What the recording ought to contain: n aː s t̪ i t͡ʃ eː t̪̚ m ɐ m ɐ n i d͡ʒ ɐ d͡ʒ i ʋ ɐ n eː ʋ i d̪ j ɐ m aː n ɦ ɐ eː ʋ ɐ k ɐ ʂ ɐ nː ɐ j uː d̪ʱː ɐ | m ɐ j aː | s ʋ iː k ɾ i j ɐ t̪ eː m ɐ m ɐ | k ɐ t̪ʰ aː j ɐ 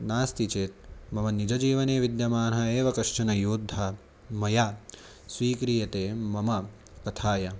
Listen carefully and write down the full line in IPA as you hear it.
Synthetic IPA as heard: n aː s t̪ i t͡ʃ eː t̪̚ m ɐ m ɐ n i d͡ʒ ɐ d͡ʒ iː ʋ ɐ n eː ʋ i d̪ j ɐ m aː n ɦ ɐ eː ʋ ɐ k ɐ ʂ ɐ n ɐ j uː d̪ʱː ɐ | m ɐ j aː | s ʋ iː k ɾ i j ɐ t̪ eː m ɐ m ɐ | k ɐ t̪ʰ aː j ɐ

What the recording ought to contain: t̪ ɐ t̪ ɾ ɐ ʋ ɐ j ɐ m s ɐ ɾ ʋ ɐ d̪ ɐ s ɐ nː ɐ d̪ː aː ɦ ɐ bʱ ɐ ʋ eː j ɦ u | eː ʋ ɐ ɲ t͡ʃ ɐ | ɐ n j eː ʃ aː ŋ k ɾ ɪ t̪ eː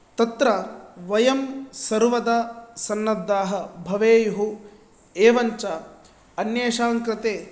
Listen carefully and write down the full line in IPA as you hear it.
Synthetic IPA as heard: t̪ ɐ t̪ ɾ ɐ ʋ ɐ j ɐ m s ɐ ɾ ʋ ɐ d̪ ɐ s ɐ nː ɐ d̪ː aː ɦ ɐ bʱ ɐ ʋ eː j ɦ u | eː ʋ ɐ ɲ t͡ʃ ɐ | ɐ n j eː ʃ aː ŋ k ɾ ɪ t̪ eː

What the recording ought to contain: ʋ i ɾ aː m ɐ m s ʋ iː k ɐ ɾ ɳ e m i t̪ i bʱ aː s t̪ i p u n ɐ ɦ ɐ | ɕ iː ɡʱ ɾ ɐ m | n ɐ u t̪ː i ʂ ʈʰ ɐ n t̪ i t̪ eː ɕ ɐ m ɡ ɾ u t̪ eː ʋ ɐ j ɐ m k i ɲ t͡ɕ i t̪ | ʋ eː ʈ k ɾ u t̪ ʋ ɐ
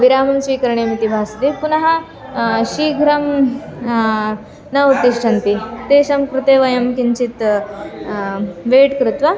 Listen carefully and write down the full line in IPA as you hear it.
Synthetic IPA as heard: ʋ i ɾ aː m ɐ m s ʋ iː k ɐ ɾ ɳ e m i t̪ i bʱ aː s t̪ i p u n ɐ ɦ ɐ | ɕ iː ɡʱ ɾ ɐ m | n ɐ u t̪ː i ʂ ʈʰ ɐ n t̪ i t̪ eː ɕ ɐ m k ɾ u t̪ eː ʋ ɐ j ɐ m k i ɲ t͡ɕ i t̪ | ʋ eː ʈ k ɾ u t̪ ʋ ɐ

